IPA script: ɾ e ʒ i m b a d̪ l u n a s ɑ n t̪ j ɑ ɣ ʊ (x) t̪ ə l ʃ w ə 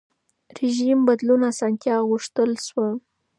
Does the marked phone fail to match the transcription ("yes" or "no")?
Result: yes